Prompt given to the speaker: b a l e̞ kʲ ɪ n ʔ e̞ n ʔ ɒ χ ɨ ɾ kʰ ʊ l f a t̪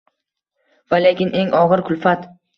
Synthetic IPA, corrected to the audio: v a l e̞ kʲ ɪ n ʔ e̞ ŋ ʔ ɒ ʁ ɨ ɾ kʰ ʊ l f a t̪